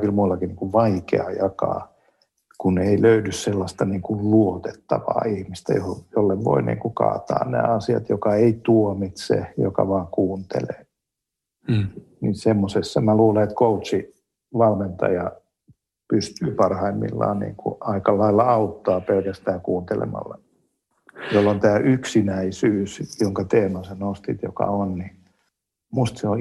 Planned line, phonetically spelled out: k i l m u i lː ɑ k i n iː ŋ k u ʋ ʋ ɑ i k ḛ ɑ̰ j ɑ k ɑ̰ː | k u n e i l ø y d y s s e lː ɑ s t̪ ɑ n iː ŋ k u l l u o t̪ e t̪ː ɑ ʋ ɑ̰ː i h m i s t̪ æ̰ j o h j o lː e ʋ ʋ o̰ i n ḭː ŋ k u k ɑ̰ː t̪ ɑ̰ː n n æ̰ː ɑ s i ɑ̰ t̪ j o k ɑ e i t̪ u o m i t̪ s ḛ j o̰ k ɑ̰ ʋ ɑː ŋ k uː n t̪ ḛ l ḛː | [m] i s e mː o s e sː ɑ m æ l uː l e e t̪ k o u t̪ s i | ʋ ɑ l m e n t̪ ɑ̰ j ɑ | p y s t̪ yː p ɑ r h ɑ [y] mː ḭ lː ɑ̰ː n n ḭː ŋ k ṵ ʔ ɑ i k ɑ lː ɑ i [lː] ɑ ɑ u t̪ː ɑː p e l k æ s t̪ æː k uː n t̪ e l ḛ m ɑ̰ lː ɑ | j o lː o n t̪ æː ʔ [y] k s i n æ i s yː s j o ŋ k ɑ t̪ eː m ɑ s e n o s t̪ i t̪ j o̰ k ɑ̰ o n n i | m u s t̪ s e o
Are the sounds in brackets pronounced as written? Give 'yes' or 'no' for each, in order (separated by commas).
no, no, yes, yes